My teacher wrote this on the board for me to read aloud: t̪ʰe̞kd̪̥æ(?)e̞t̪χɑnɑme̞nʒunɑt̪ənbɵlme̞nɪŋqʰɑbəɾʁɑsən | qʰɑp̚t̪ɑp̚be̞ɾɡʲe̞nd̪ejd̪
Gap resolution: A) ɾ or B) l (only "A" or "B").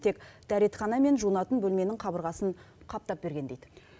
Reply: A